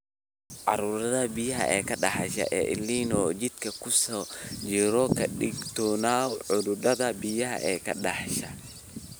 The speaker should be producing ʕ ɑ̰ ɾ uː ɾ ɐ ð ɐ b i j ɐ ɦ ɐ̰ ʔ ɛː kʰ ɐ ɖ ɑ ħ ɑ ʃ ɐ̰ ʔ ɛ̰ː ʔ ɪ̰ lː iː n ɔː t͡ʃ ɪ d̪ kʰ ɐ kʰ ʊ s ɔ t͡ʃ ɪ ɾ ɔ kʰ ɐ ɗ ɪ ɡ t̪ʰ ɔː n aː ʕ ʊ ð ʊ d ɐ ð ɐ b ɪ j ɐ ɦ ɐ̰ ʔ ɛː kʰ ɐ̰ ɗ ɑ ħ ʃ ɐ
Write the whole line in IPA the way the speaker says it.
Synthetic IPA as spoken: ʕ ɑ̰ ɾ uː ɾ ɐ ð ɐ b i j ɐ ɦ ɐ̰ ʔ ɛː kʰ ɐ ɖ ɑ ħ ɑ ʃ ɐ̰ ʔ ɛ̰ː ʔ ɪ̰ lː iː n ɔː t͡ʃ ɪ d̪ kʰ ɐ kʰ ʊ s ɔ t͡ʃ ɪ ɾ ɔ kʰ ɐ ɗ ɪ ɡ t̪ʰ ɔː n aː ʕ ʊ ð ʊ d ɐ ð ɐ b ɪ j ɐ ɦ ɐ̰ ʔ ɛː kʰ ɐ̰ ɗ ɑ ħ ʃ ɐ